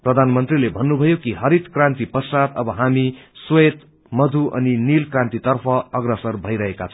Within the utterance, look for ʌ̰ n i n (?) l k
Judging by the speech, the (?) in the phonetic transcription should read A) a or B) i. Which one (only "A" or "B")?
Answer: B